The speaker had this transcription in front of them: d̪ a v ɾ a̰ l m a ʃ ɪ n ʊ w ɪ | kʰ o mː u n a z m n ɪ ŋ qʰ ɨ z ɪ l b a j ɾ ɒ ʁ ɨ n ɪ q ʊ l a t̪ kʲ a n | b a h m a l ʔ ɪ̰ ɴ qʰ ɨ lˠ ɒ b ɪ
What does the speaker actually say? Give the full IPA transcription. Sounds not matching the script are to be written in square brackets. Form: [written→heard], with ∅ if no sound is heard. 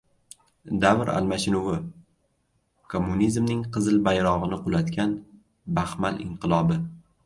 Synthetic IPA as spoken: d̪ a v ɾ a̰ l m a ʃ ɪ n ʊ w ɪ | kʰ o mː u n [a→i] z m n ɪ ŋ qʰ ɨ z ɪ l b a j ɾ ɒ ʁ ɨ n ɪ q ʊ l a t̪ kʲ a n | b a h m a l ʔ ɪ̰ ɴ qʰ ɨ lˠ ɒ b ɪ